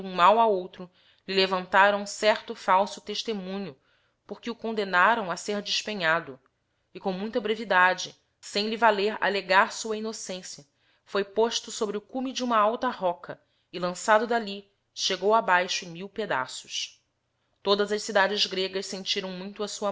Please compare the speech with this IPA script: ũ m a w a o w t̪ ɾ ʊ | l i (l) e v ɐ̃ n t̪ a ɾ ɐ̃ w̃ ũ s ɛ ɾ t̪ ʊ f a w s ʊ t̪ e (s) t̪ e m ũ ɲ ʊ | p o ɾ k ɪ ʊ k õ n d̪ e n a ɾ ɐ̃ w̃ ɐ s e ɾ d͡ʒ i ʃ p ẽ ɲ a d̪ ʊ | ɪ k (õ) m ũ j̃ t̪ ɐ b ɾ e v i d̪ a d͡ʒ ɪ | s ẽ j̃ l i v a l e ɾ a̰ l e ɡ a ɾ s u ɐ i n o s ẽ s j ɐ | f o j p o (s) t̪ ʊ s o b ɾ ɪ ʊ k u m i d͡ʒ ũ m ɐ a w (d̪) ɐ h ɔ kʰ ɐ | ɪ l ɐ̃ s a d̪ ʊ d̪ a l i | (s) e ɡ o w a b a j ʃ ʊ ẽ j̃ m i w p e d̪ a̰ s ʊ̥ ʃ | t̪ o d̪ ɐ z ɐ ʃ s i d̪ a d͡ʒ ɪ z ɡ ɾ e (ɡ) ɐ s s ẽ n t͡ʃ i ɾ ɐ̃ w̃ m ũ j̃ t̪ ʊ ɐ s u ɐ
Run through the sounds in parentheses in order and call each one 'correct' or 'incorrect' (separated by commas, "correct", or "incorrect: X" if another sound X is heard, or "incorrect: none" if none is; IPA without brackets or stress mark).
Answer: correct, incorrect: ʃ, correct, incorrect: ʃ, incorrect: t̪, incorrect: ʃ, correct